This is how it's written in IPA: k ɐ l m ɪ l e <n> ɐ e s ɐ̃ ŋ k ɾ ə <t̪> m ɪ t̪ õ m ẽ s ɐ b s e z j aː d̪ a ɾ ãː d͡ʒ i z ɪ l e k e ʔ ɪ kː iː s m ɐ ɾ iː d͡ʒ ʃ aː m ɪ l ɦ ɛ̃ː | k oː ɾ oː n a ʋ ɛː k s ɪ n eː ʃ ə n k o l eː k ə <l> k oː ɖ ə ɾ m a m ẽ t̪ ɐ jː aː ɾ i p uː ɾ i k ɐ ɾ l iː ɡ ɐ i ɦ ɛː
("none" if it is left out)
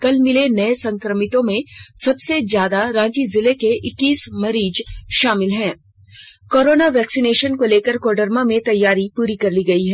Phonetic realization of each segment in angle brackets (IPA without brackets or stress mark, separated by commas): n, none, ɾ